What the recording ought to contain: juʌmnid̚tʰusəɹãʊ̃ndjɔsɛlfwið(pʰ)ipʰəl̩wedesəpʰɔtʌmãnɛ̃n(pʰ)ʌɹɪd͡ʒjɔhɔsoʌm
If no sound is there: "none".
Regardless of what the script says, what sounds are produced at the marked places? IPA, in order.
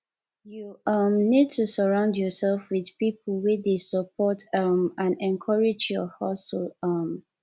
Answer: p, kʰ

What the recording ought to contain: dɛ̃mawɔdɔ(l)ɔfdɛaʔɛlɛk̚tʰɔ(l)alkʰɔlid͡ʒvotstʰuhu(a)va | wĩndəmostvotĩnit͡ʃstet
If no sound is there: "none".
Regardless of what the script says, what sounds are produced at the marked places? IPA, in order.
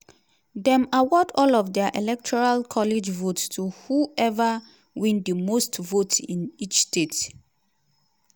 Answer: l, ɹ, ɛ

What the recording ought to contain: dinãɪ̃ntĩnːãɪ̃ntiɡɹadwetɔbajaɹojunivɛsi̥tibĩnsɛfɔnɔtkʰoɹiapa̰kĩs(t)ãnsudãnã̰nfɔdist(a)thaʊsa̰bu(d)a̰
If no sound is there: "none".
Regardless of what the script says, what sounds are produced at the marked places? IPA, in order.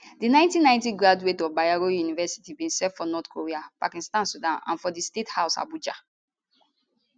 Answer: t, e, d͡ʒ

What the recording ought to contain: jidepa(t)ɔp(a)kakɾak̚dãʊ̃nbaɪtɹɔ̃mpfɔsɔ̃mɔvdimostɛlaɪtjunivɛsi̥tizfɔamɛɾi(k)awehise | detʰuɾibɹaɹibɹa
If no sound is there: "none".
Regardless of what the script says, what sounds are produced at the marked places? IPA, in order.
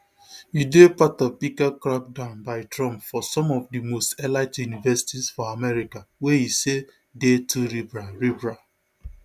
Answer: t, i, k

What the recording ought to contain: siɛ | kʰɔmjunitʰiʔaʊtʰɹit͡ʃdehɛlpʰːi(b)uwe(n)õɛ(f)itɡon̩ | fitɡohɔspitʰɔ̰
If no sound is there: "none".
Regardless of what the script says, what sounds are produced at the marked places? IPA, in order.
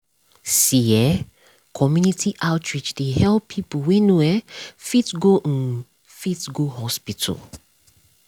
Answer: p, n, f

